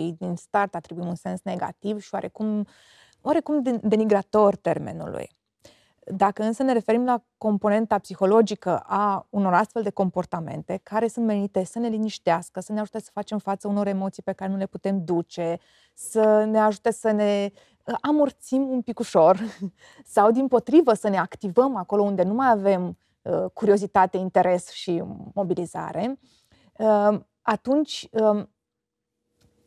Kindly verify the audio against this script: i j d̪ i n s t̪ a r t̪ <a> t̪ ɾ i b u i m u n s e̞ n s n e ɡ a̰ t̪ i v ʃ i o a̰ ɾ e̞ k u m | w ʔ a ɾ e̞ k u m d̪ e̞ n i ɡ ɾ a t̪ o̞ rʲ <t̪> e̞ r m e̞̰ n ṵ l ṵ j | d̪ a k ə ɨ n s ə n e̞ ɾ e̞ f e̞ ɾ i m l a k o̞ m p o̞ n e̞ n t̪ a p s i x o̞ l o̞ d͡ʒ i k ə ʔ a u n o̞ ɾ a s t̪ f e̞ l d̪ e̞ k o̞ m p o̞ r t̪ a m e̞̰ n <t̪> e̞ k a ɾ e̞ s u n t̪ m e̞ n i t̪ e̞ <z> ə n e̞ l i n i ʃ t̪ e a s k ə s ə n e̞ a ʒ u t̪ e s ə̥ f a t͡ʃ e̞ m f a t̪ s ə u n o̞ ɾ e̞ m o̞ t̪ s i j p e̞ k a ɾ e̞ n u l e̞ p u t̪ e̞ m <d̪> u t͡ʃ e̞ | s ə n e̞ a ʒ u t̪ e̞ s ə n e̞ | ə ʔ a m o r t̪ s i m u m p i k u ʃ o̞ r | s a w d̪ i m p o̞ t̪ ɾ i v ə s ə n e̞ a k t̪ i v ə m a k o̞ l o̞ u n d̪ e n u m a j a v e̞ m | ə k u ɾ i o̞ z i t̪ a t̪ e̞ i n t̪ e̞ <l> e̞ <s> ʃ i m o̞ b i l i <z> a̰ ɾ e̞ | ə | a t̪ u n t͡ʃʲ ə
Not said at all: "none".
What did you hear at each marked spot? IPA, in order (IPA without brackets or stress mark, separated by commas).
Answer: a, t̪, t̪, s, d̪, ɾ, s, z